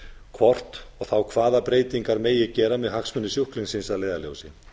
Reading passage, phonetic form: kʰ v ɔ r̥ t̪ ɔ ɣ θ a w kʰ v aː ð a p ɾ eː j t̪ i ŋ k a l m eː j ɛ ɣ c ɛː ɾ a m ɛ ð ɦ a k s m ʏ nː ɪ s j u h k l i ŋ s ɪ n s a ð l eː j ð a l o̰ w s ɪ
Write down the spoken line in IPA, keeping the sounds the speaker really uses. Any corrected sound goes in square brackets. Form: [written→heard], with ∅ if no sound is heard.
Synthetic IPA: kʰ v ɔ r̥ t̪ ɔ ɣ θ a w kʰ v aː ð a p ɾ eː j t̪ i ŋ k a [l→ɾ] m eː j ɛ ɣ c ɛː ɾ a m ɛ ð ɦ a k s m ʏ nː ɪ s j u h k l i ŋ s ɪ n s a ð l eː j ð a l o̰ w s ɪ